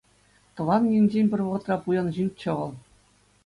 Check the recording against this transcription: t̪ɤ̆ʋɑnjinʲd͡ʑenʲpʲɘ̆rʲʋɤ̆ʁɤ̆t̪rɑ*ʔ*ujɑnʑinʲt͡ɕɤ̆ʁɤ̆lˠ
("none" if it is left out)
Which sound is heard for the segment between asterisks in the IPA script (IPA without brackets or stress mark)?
p